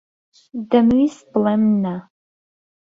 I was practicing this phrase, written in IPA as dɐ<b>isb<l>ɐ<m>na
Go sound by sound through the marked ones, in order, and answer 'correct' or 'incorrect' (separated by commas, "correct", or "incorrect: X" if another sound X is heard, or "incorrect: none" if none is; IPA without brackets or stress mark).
incorrect: m, correct, correct